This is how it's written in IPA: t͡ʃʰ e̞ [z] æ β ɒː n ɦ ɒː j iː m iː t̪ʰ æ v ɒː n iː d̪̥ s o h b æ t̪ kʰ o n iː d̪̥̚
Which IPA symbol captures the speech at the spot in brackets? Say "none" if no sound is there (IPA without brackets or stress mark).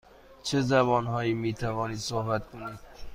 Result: z